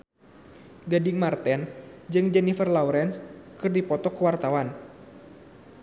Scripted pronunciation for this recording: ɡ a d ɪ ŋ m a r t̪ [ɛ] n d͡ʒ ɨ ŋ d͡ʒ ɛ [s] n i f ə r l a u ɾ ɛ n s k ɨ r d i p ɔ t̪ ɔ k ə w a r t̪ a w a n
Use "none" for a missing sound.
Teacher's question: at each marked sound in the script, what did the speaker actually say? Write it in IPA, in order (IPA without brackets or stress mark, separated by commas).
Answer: ɛ, none